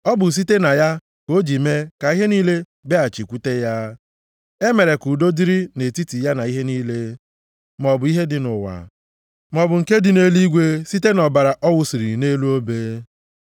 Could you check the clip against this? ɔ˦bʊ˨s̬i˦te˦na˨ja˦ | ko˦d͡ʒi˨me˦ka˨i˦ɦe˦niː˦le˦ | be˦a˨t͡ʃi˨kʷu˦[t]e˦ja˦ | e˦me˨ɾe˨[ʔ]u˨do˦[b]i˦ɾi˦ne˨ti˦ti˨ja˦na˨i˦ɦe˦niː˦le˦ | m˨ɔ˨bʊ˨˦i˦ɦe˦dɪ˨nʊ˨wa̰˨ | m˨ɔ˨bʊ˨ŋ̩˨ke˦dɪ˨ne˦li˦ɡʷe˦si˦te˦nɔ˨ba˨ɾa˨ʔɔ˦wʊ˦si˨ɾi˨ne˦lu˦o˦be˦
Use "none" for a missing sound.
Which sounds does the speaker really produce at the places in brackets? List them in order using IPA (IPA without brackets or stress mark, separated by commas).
t, k, d